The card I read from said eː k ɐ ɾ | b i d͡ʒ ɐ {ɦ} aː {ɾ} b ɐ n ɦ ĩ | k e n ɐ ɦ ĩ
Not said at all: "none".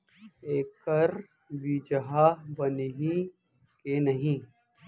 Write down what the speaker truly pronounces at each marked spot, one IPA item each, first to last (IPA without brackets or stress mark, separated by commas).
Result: ɦ, none